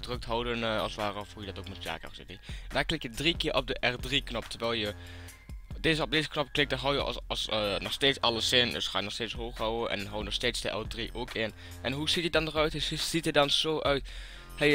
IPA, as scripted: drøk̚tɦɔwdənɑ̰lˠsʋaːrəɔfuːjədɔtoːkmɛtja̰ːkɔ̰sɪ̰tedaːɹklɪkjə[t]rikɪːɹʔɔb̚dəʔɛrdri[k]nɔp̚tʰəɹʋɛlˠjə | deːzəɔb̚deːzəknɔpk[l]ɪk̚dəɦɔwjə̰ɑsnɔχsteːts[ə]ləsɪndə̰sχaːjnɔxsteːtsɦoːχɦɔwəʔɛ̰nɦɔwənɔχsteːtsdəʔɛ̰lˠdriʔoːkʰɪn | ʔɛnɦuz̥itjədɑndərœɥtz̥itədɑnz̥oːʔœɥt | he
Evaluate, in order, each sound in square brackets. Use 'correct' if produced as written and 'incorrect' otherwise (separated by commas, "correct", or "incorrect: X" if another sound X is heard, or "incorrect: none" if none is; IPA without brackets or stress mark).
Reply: incorrect: d, correct, correct, incorrect: ɑ